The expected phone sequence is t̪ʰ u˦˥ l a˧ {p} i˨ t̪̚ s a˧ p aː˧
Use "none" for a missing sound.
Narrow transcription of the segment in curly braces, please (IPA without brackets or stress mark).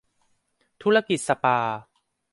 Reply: k